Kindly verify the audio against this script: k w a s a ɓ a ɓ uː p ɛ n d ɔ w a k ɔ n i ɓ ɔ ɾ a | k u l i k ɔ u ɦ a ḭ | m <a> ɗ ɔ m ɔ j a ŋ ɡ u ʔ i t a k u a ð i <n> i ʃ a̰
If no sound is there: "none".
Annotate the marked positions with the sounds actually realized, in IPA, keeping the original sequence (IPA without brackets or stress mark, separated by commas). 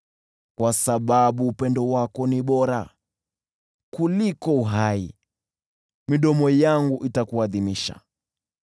i, m